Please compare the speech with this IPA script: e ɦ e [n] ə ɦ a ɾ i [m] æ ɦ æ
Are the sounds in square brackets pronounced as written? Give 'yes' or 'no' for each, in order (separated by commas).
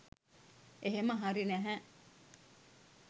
no, no